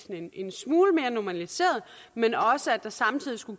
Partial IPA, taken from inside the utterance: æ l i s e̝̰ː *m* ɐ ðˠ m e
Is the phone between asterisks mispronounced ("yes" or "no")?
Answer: yes